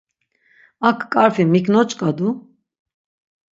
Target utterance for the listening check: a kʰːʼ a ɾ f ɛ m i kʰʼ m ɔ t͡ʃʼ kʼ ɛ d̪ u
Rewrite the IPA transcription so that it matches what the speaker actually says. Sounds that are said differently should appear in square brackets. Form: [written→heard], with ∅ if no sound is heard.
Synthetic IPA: a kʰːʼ a ɾ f [ɛ→i] m i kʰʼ [m→n] ɔ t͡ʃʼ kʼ [ɛ→a] d̪ u